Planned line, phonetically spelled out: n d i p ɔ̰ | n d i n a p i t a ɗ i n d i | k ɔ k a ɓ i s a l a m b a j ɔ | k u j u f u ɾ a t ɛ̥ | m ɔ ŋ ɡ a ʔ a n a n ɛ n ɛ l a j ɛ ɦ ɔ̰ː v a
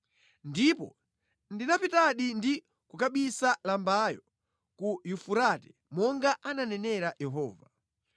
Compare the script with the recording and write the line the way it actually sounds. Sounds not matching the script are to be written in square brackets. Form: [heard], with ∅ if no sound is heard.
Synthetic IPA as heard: n d i p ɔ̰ | n d i n a p i t a ɗ i n d i | k [u] k a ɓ i s a l a m b a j ɔ | k u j u f u ɾ a t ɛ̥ | m ɔ ŋ ɡ a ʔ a n a n ɛ n ɛ [ɾ] a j ɛ ɦ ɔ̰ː v a